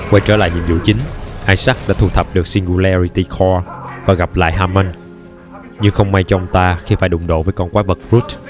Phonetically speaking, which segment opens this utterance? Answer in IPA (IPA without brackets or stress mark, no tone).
k